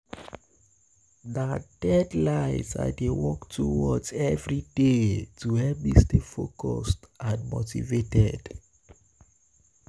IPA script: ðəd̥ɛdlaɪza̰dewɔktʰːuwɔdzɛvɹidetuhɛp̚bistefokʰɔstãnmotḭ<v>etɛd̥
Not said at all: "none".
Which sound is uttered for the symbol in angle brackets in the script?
v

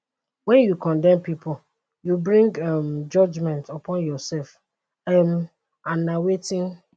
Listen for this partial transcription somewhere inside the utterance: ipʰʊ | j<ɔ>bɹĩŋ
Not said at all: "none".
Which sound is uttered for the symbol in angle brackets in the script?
u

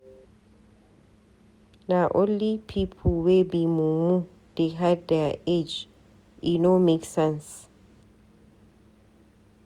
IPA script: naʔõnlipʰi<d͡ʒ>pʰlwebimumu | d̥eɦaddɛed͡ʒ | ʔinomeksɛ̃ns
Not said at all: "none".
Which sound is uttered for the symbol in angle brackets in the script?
none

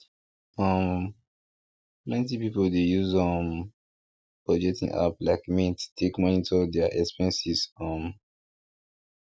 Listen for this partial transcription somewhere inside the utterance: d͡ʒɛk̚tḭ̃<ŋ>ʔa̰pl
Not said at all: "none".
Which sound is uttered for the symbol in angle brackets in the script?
ŋ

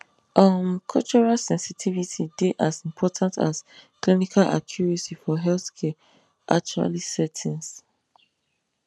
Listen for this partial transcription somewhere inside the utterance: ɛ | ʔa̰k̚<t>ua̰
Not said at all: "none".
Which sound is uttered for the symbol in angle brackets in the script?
t͡ʃ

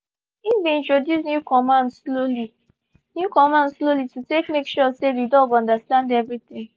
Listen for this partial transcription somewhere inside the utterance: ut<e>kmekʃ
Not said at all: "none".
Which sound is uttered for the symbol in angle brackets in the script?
e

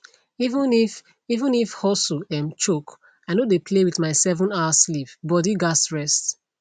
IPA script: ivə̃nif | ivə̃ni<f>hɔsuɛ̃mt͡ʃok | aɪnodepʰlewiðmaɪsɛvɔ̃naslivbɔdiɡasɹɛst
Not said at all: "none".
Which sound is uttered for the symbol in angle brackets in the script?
f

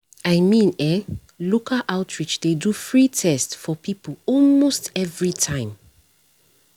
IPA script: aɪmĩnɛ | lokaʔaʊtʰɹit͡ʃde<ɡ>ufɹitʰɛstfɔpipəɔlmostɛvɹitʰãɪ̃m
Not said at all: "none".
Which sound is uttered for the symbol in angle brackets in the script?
d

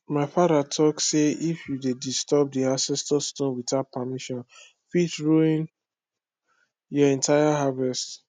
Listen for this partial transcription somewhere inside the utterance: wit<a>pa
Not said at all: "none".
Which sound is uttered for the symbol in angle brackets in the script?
a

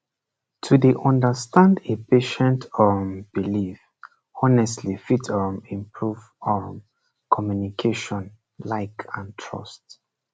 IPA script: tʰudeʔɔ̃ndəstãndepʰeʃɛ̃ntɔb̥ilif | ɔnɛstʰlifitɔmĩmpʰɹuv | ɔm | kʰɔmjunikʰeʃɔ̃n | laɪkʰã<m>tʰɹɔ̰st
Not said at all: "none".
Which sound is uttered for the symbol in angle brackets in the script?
n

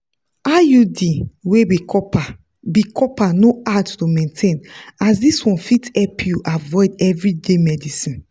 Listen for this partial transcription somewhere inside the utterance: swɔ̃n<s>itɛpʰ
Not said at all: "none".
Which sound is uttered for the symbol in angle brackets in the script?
f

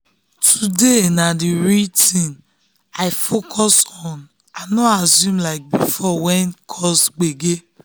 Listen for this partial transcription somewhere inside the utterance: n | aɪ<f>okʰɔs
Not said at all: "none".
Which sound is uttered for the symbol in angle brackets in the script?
f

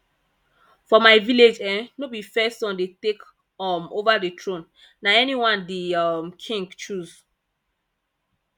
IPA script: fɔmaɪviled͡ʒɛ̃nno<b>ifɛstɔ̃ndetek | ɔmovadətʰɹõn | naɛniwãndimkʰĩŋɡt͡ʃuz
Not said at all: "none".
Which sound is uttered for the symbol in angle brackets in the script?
b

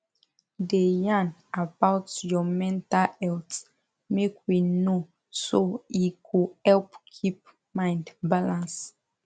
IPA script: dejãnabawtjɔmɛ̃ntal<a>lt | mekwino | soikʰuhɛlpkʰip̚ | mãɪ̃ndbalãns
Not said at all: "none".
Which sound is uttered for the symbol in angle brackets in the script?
ɛ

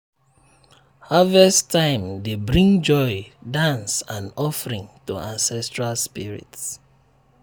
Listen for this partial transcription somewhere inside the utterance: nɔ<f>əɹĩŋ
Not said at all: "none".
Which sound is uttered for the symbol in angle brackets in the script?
f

